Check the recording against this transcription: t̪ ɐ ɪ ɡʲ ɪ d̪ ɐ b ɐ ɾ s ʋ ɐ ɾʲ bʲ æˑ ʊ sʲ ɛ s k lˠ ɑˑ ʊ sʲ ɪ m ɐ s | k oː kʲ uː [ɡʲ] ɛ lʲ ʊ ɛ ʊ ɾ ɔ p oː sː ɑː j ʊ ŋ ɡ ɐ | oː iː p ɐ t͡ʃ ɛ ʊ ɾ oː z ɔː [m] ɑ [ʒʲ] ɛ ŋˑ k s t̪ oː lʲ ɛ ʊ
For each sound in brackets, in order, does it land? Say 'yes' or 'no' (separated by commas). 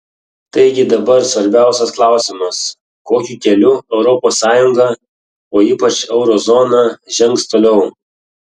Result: no, no, yes